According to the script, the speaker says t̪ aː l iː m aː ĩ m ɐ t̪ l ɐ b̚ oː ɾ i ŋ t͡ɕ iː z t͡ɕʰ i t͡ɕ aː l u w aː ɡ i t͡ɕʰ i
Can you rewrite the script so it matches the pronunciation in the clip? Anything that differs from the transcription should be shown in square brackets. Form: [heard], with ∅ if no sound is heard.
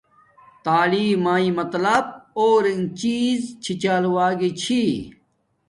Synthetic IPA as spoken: t̪ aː l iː m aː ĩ m ɐ t̪ l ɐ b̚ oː ɾ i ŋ t͡ɕ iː z t͡ɕʰ i t͡ɕ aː l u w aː ɡ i t͡ɕʰ i